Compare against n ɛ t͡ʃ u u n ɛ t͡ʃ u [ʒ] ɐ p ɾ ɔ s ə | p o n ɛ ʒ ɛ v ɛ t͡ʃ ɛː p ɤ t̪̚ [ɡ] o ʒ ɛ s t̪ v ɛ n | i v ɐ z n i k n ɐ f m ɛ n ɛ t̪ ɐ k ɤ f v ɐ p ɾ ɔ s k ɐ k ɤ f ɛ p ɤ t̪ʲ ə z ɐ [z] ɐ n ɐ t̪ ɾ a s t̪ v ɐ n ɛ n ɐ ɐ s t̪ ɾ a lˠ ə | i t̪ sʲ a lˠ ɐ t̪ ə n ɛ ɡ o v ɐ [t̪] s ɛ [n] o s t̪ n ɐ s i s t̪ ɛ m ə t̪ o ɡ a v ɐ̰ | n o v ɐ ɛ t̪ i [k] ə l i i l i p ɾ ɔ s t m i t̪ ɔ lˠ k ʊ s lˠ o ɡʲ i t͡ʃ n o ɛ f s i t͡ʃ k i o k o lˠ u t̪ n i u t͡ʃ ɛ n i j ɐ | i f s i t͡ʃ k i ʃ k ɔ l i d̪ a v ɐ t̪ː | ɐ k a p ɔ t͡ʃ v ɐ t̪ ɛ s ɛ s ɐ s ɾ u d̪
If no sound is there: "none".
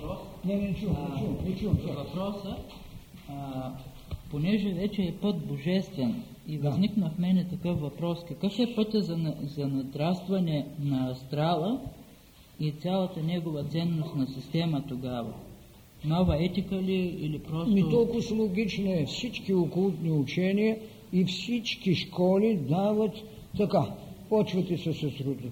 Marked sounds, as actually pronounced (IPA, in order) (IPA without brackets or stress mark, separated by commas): v, b, z, t̪, nː, k